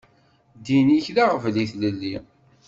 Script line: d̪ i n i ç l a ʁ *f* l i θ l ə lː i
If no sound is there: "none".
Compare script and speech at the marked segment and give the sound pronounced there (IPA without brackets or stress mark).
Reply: v